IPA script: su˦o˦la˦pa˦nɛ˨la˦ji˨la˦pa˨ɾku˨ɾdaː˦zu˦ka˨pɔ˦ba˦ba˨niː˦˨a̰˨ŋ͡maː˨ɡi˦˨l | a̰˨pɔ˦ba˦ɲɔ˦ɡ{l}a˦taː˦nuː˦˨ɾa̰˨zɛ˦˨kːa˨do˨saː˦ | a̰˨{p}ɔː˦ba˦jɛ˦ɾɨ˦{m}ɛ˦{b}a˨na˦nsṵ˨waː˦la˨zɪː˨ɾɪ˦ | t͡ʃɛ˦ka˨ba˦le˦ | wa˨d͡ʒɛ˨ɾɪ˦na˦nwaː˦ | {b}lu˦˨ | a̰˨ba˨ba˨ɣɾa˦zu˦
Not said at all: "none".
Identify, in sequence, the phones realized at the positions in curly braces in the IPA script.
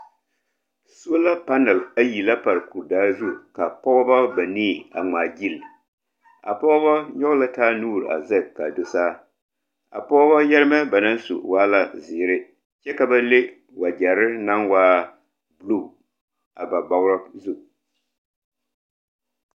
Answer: l, p, m, b, b

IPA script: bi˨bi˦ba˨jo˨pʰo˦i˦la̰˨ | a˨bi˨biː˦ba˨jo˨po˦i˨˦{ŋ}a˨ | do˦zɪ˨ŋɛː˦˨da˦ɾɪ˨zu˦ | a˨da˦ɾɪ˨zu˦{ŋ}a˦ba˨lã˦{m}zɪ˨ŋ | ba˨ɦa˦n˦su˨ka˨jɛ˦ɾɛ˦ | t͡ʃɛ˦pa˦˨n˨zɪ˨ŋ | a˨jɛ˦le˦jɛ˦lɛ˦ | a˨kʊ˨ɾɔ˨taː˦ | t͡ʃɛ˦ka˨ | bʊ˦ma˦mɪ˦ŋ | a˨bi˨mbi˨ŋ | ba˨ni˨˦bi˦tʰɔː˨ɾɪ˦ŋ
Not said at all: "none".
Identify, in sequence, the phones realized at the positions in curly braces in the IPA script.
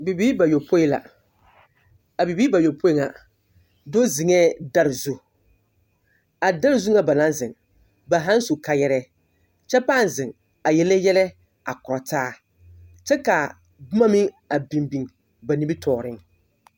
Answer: ŋ, ŋ, n

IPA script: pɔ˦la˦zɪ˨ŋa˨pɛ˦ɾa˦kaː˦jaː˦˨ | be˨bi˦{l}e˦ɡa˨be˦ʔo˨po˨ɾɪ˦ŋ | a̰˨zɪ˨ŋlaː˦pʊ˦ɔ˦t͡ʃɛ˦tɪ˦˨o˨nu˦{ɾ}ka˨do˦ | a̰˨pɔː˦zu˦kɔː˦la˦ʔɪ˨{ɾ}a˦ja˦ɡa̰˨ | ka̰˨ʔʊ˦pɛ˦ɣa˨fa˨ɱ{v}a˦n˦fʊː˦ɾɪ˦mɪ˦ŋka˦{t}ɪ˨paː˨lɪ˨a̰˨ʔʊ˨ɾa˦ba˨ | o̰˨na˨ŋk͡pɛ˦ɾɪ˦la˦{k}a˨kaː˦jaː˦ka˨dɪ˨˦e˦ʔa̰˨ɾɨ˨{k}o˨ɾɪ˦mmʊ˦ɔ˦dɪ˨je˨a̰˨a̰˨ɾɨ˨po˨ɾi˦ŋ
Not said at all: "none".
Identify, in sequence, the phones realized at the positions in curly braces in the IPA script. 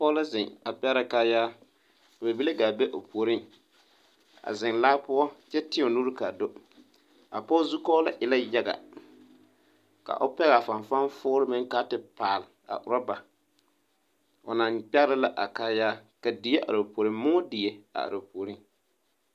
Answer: l, ɾ, l, f, t, ʔ, p

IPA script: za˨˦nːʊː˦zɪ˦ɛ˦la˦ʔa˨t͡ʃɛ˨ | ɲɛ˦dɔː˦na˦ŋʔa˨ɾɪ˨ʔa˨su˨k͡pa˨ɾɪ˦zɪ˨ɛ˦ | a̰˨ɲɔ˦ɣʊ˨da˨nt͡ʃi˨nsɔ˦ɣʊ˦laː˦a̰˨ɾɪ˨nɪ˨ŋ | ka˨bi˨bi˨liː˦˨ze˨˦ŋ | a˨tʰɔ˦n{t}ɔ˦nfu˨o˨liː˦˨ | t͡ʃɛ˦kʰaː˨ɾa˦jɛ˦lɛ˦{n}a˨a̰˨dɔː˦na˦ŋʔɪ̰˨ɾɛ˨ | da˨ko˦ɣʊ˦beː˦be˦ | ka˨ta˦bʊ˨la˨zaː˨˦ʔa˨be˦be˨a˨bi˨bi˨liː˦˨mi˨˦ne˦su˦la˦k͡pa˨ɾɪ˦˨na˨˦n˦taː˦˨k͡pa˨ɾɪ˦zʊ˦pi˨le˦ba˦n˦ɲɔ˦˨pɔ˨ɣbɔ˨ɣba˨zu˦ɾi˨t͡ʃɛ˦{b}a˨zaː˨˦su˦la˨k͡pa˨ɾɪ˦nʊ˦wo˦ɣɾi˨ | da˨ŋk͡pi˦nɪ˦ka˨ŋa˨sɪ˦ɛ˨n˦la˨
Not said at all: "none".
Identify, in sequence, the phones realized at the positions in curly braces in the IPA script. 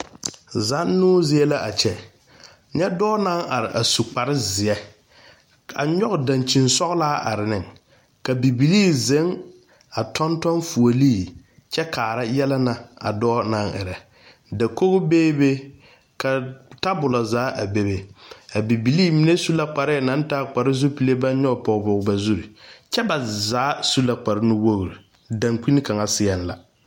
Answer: t, n, b

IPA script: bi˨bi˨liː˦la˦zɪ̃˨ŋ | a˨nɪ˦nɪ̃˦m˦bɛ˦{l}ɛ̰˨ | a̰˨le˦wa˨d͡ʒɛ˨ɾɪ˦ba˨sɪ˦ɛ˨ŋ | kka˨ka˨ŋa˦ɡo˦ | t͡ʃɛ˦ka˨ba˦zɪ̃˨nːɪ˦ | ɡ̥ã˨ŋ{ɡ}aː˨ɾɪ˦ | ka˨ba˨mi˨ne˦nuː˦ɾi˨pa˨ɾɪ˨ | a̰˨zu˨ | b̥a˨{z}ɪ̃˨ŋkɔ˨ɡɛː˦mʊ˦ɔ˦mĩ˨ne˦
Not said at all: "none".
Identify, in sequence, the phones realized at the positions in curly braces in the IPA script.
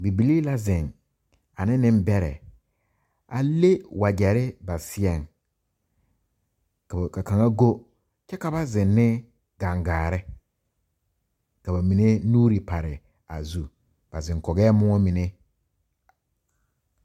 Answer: ɾ, ɡ, z

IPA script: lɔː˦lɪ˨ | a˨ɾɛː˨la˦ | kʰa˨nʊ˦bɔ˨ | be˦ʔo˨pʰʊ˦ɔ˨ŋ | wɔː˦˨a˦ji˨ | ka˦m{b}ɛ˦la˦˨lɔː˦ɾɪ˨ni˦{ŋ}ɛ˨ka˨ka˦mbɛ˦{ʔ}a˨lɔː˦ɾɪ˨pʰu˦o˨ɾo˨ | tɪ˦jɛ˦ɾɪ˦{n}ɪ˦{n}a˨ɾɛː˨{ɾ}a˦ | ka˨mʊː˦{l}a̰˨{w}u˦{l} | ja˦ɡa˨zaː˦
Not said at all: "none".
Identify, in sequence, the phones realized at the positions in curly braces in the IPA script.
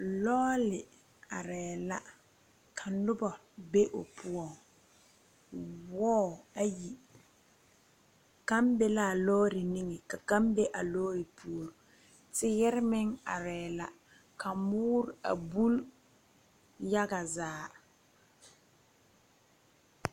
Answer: b, ŋ, ʔ, m, ŋ, l, ɾ, b, l

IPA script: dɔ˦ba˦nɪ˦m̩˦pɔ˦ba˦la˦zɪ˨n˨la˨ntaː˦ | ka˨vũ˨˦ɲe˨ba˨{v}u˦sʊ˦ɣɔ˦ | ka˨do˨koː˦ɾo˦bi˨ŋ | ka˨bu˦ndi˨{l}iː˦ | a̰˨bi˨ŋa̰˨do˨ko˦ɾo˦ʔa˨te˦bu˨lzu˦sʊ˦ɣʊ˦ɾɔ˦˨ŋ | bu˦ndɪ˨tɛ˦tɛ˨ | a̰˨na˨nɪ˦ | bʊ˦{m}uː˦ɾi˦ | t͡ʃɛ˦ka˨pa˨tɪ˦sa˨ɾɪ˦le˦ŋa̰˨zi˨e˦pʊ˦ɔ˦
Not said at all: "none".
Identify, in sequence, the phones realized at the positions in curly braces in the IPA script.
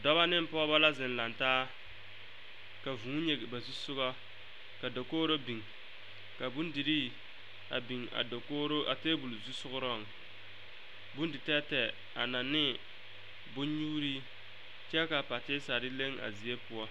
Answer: z, ɾ, ɲ

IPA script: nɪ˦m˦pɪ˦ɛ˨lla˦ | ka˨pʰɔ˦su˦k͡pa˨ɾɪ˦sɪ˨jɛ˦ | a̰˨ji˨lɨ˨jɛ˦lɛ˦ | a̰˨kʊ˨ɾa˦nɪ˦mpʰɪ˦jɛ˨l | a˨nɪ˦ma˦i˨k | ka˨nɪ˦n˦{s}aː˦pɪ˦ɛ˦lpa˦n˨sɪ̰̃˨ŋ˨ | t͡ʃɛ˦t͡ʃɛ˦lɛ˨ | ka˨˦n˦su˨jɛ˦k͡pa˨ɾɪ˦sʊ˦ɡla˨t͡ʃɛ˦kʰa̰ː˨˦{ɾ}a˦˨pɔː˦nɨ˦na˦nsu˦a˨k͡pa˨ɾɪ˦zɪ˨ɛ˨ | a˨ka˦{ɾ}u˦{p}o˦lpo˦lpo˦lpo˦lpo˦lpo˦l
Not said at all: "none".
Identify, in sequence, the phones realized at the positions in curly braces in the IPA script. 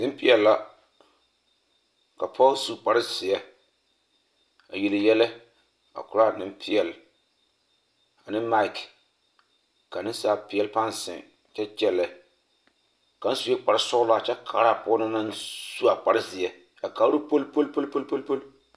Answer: s, ɾ, ɾ, p

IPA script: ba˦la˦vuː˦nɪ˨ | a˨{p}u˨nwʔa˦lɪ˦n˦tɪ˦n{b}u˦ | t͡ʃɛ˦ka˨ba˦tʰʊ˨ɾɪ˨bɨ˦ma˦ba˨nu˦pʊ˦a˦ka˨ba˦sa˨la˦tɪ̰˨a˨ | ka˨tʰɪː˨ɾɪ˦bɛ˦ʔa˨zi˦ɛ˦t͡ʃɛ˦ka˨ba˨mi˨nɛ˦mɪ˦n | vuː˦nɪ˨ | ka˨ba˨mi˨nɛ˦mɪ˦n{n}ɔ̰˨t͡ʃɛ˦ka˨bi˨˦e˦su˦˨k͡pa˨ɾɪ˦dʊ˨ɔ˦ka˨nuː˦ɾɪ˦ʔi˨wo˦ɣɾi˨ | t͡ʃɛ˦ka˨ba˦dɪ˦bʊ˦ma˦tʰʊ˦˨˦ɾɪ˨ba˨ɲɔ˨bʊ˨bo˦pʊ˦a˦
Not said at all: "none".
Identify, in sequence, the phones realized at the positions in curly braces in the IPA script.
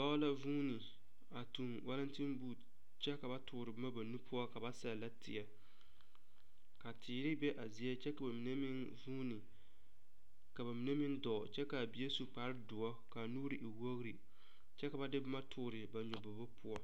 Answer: t, b, d

